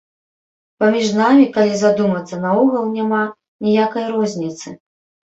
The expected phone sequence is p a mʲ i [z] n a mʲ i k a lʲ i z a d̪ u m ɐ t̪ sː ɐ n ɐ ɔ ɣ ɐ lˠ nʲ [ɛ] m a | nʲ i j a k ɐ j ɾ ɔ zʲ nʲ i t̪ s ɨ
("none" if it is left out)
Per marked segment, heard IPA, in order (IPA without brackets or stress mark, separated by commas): ʐ, a